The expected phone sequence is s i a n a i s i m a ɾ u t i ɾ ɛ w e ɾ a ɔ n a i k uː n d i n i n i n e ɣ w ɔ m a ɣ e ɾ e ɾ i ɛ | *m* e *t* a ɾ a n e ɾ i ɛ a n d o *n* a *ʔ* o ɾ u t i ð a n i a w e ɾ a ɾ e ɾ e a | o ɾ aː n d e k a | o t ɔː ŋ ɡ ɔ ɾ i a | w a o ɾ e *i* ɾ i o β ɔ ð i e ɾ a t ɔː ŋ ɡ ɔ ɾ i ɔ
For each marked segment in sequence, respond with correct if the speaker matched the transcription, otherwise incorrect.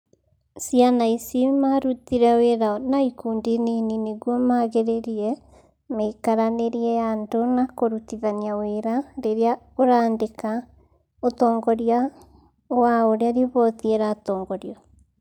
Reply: correct, incorrect: k, correct, incorrect: k, incorrect: a

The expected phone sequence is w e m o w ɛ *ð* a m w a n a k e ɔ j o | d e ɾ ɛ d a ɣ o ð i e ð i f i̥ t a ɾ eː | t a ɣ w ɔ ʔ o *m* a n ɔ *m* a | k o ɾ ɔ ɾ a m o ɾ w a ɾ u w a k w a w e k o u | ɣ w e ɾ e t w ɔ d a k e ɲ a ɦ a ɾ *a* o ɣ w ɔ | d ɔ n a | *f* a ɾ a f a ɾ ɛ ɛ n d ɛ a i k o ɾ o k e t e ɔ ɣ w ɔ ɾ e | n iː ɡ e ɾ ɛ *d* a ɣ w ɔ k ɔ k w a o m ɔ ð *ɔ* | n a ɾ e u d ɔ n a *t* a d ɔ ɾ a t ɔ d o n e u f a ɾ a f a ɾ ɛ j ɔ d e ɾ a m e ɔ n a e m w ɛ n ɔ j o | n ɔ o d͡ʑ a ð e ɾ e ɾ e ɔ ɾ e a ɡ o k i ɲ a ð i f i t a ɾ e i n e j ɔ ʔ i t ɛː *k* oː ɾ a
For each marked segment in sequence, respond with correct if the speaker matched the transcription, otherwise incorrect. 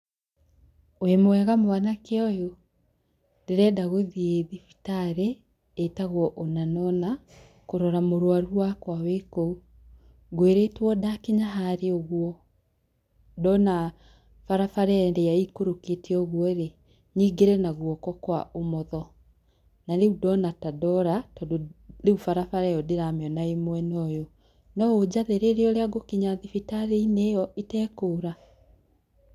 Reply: incorrect: ɣ, incorrect: n, incorrect: n, incorrect: e, correct, incorrect: n, correct, correct, correct

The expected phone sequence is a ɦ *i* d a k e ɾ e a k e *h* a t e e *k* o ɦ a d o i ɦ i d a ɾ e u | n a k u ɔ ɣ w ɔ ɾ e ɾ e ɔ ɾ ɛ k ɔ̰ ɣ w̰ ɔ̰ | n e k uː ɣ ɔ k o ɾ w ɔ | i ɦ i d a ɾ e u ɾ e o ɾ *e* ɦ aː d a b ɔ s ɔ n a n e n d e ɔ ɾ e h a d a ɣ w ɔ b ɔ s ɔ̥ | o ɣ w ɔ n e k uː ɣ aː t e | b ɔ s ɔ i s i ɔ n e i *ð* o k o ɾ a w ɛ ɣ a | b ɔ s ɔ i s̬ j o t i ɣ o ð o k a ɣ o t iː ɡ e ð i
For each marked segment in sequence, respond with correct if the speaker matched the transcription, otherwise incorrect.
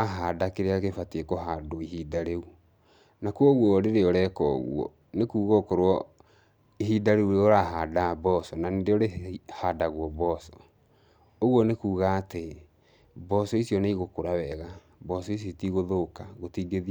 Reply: incorrect: a, incorrect: f, correct, incorrect: a, incorrect: ɣ

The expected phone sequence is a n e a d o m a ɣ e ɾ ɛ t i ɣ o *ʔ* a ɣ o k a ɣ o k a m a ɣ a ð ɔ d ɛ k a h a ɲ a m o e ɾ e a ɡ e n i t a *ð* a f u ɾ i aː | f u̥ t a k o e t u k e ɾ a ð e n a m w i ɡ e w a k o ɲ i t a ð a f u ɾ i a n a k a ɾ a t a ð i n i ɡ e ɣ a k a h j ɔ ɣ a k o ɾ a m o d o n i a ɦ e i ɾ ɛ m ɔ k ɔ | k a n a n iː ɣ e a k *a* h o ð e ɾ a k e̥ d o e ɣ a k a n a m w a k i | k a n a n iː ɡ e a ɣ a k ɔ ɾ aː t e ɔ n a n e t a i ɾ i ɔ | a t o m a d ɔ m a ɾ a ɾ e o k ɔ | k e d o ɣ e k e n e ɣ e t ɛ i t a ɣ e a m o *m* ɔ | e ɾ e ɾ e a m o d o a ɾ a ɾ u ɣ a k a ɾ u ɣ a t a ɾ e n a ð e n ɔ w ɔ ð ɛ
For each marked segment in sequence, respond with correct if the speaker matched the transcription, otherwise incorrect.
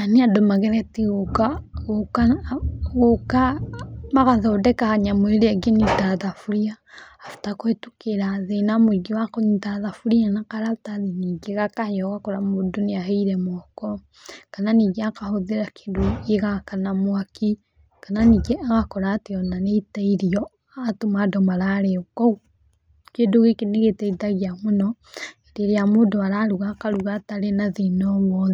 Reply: incorrect: k, correct, correct, incorrect: n

